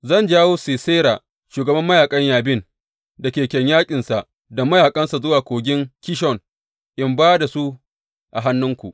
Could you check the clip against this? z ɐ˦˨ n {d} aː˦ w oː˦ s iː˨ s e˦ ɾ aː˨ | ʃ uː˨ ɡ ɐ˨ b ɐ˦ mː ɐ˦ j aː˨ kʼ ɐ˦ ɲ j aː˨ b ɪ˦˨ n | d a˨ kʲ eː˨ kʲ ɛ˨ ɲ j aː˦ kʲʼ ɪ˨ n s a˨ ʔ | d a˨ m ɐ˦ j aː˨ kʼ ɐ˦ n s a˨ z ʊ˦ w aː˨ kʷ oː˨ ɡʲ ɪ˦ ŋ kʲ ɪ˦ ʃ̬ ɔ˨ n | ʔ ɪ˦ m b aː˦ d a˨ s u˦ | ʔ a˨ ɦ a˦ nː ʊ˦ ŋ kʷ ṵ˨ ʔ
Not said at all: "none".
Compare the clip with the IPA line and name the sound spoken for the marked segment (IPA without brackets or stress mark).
d͡ʒ